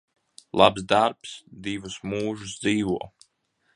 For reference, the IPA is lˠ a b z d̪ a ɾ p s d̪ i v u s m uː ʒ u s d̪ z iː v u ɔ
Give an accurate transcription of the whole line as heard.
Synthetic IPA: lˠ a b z d̪ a ɾ p s d̪ i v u s m uː ʒ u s d̪ z iː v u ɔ